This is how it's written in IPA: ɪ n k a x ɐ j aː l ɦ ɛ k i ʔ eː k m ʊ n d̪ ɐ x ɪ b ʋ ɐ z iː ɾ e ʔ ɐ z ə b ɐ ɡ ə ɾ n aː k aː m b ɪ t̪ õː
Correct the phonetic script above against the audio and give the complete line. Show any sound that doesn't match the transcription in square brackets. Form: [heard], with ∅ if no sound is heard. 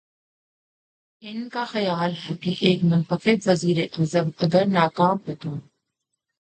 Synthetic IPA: ɪ n k a x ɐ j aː l ɦ ɛ k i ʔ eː k m ʊ n [t̪] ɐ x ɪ b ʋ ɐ z iː ɾ e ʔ ɐ z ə b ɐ ɡ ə ɾ n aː k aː m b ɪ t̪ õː